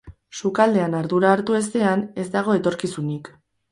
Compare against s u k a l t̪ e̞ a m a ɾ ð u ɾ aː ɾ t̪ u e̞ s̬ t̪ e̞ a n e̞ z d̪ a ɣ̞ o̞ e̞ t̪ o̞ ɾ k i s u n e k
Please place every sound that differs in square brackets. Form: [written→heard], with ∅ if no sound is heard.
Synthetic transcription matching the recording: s u k a l [t̪→d̪] e̞ a [m→n] a ɾ ð u ɾ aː ɾ t̪ u e̞ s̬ t̪ e̞ a n e̞ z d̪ a ɣ̞ o̞ e̞ t̪ o̞ ɾ k i s u n [e→i] k